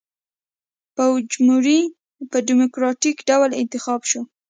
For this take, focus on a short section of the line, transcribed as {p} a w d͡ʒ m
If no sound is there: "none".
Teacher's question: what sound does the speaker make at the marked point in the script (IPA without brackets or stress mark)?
p